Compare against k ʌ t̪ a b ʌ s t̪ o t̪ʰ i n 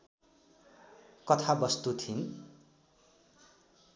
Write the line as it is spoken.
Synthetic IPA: k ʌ t̪ʰ a b ʌ s t̪ u t̪ʰ i n